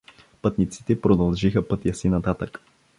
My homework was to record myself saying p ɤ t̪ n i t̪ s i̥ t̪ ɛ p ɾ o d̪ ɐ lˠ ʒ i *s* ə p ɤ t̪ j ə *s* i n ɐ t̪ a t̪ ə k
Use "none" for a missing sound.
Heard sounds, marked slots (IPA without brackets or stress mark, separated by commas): x, s